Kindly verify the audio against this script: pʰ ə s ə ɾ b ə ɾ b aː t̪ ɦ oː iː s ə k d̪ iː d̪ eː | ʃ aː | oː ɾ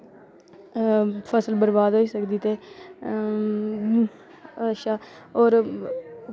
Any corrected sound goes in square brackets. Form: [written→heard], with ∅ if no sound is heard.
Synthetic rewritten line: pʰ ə s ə [ɾ→l] b ə ɾ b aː [t̪→d̪] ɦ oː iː s ə k d̪ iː [d̪→t̪] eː | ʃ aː | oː ɾ